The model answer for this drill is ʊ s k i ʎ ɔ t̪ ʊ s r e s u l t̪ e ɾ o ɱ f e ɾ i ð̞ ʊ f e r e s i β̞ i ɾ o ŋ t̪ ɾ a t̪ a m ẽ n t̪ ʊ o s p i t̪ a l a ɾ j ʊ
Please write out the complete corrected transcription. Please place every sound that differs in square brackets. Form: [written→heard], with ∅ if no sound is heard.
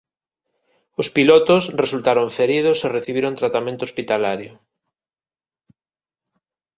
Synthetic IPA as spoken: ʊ s [k→p] i [ʎ→l] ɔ t̪ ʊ s r e s u l t̪ [e→a] ɾ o ɱ f e ɾ i ð̞ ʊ [f→s] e r e [s→θ] i β̞ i ɾ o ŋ t̪ ɾ a t̪ a m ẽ n t̪ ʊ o s p i t̪ a l a ɾ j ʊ